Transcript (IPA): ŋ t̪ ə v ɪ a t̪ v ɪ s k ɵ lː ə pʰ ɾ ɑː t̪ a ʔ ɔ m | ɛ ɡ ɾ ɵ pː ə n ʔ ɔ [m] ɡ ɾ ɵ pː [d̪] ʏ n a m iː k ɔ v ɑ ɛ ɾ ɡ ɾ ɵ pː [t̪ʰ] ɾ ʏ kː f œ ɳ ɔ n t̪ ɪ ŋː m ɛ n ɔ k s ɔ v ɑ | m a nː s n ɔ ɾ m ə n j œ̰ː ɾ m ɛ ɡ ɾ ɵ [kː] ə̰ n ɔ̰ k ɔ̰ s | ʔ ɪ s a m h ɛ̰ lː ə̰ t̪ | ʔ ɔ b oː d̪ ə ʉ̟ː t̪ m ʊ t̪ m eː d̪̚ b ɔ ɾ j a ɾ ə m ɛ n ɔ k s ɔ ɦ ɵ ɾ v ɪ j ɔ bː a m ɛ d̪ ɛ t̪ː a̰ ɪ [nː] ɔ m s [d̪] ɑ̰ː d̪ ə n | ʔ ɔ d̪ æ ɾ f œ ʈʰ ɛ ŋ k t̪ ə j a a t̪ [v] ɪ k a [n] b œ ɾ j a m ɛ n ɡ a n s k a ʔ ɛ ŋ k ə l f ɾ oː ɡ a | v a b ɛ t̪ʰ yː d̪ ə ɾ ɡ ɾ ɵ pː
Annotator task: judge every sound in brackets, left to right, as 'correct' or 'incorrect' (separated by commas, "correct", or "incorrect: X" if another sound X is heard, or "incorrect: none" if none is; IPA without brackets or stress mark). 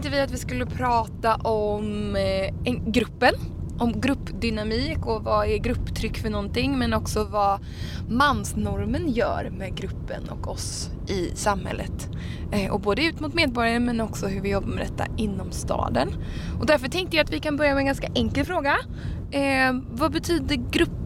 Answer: correct, correct, correct, incorrect: pː, correct, incorrect: t̪, correct, correct